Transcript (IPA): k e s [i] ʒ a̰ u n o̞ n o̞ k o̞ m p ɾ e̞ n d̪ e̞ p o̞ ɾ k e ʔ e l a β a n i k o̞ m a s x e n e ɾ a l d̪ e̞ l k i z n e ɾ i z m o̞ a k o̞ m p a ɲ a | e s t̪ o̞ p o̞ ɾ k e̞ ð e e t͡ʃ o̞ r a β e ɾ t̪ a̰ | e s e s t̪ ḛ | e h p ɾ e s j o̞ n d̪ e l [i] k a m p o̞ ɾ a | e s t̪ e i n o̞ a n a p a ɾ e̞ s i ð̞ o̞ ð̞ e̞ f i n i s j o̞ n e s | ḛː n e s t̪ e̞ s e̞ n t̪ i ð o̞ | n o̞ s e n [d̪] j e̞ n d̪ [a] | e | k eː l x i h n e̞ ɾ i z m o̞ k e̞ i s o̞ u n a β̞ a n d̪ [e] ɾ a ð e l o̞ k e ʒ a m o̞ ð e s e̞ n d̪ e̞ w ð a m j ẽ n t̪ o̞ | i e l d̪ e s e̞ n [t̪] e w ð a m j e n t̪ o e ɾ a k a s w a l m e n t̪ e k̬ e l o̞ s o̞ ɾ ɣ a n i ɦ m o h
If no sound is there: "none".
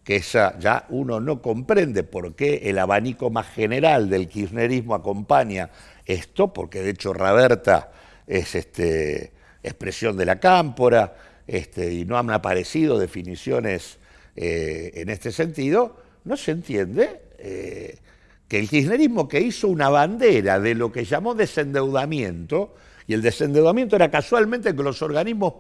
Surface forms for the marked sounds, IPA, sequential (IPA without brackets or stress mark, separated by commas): a, a, t̪, e, e, d̪